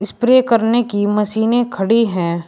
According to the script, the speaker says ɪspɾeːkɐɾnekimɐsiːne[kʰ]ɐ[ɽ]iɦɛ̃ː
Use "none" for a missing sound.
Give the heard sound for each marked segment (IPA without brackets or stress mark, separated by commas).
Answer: kʰ, ɽ